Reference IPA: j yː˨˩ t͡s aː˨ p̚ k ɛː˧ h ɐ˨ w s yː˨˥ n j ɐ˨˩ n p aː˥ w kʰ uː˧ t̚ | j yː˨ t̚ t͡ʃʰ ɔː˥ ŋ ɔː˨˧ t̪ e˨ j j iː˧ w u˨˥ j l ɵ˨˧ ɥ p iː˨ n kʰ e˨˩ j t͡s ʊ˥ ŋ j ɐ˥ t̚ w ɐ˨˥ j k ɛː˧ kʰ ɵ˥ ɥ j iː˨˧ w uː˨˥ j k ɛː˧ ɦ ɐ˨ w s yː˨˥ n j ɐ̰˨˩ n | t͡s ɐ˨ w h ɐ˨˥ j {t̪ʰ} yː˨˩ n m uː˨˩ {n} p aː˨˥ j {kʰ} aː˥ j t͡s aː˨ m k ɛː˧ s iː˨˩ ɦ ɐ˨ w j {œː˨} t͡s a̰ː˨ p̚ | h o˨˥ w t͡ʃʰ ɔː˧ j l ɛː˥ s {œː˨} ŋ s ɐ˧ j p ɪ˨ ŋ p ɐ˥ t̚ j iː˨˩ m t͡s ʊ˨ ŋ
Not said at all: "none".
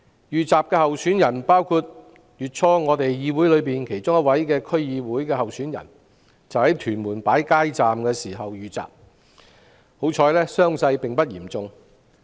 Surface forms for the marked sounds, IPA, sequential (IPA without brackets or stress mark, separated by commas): t̪ʰ, n, k, yː˨, œː˥